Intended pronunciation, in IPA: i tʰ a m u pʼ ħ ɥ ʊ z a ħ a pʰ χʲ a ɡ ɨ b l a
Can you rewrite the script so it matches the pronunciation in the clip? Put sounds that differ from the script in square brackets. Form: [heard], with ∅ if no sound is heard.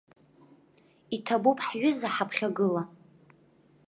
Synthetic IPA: i tʰ a [b] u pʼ ħ ɥ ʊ z a ħ a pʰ χʲ a ɡ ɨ [∅] l a